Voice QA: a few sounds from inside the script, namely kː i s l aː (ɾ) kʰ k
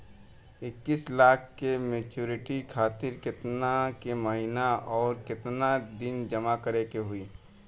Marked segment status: incorrect: none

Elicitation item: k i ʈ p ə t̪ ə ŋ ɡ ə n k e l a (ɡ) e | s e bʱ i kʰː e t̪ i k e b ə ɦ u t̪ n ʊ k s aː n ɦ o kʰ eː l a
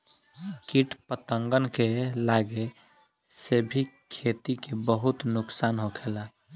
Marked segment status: correct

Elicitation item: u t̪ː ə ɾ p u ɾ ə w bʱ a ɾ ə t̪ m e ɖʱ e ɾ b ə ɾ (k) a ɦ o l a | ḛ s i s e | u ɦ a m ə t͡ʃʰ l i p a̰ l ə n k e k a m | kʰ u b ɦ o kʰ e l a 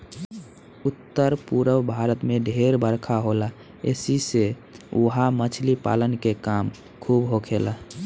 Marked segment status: incorrect: kʰ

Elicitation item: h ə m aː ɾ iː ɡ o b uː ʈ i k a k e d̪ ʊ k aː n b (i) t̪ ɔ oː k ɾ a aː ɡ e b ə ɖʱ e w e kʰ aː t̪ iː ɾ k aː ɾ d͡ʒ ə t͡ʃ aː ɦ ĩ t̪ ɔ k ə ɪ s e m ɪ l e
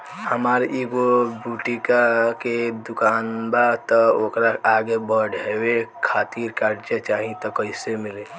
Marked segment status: incorrect: a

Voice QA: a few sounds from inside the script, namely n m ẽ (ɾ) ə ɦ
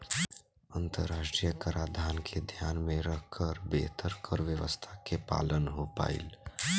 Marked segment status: correct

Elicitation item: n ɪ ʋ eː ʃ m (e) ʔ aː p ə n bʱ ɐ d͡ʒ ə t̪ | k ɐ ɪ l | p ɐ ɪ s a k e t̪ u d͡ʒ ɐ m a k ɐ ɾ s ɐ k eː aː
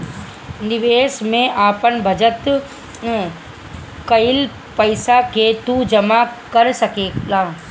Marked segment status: incorrect: ẽ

